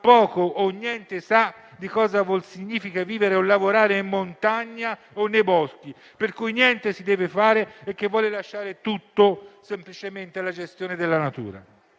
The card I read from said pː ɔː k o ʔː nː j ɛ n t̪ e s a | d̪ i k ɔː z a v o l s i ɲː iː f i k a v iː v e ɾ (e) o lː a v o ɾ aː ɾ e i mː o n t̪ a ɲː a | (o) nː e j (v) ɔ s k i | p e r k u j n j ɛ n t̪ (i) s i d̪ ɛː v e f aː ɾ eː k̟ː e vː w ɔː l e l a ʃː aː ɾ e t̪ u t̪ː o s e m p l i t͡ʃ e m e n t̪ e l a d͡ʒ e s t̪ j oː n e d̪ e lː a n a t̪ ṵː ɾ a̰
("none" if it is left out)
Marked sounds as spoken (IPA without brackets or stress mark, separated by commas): e, o, b, e